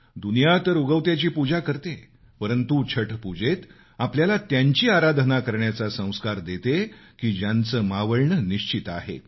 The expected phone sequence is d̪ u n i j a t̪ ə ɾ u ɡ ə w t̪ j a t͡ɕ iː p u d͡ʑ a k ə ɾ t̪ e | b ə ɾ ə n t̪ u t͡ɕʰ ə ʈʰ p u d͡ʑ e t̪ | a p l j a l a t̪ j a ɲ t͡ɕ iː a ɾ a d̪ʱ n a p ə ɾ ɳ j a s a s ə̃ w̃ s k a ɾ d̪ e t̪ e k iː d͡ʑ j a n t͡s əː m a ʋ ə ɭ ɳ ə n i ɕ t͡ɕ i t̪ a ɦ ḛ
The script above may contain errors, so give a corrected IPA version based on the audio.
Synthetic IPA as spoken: d̪ u n i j a t̪ ə ɾ u ɡ ə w t̪ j a t͡ɕ iː p u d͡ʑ a k ə ɾ t̪ e | p ə ɾ ə n t̪ u t͡ɕʰ ə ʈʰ p u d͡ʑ e t̪ | a p l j a l a t̪ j a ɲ t͡ɕ iː a ɾ a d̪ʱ n a k ə ɾ ɳ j a t͡s a s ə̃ w̃ s k a ɾ d̪ e t̪ e k iː d͡ʑ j a n t͡s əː m a ʋ ə ɭ ɳ ə n i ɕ t͡ɕ i t̪ a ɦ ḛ